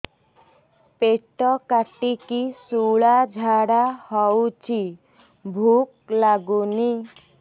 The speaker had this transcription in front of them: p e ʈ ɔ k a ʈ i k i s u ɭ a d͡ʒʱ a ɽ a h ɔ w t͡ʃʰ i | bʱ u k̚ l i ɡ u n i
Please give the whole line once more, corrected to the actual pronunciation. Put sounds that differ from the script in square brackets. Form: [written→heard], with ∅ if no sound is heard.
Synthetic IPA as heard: p e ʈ ɔ k a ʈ i k i s u ɭ a d͡ʒʱ a ɽ a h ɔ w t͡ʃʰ i | bʱ u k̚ l [i→a] ɡ u n i